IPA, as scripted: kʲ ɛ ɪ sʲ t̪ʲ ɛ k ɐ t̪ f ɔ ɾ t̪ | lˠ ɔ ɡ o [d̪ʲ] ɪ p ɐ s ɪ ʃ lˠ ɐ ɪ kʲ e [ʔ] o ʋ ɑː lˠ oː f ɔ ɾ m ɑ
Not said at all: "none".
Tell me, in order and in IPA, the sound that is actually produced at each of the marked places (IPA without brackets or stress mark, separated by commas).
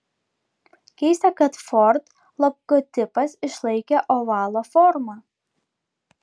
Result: t̪ʲ, ʔ